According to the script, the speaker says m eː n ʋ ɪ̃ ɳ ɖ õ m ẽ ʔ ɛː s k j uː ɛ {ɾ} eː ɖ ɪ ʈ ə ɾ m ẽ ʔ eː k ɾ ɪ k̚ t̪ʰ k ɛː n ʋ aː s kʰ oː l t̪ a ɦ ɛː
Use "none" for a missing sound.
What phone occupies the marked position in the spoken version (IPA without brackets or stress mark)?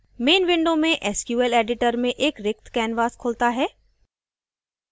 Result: l